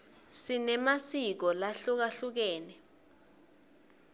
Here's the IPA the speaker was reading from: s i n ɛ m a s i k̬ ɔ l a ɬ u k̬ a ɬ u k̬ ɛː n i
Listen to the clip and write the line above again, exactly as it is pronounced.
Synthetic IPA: s i n ɛ m a s i k̬ ɔ l a ɬ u k̬ a ɬ u k̬ ɛː n ɛ